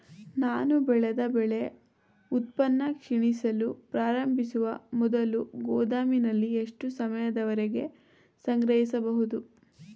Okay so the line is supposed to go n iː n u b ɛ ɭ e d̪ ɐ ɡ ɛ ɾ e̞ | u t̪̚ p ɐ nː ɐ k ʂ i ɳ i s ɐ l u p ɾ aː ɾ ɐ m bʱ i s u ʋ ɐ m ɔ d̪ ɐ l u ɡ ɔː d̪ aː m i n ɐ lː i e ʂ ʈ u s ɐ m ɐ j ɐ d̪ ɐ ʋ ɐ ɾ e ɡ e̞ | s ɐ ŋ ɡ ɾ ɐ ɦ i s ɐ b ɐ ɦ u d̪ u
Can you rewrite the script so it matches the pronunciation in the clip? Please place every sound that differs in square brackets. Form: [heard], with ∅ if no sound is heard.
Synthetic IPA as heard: n [aː] n u b ɛ ɭ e d̪ ɐ [b] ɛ [ɭ] e̞ | u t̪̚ p ɐ nː ɐ k ʂ i ɳ i s ɐ l u p ɾ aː ɾ ɐ m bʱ i s u ʋ ɐ m ɔ d̪ ɐ l u ɡ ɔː d̪ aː m i n ɐ lː i e ʂ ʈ u s ɐ m ɐ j ɐ d̪ ɐ ʋ ɐ ɾ e ɡ e̞ | s ɐ ŋ ɡ ɾ ɐ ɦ i s ɐ b ɐ ɦ u d̪ u